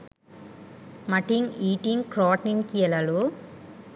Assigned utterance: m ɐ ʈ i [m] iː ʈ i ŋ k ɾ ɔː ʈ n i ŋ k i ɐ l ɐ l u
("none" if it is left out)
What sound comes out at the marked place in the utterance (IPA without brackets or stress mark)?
ŋ